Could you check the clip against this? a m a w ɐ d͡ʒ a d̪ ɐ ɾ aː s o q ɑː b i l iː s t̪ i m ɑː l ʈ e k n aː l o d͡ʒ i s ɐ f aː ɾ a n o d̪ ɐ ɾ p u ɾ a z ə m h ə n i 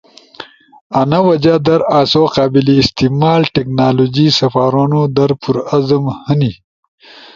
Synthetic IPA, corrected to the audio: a n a w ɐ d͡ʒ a d̪ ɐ ɾ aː s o q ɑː b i l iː s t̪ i m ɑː l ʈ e k n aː l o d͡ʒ i s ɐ f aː ɾ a n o d̪ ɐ ɾ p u ɾ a z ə m h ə n i